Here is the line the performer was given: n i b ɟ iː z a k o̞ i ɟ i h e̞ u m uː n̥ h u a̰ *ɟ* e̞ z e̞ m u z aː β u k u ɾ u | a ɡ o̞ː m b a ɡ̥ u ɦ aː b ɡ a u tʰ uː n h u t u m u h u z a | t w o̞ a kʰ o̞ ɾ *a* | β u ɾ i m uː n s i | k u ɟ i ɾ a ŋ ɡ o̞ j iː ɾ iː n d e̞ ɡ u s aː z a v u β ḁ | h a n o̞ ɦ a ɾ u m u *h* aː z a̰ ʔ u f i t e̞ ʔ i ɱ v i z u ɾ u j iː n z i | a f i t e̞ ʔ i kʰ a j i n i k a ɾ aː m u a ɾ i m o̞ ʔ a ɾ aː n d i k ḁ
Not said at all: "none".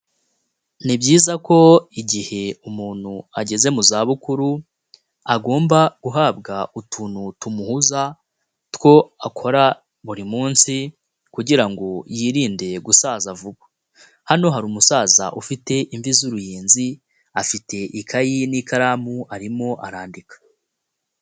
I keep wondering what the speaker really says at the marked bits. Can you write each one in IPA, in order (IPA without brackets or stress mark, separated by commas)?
ɟ, a, s